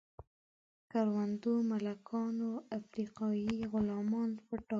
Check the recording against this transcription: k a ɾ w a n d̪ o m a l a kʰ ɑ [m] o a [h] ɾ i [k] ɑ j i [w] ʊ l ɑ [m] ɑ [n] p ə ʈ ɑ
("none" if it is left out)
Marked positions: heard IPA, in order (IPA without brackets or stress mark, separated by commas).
n, f, q, ɣ, m, n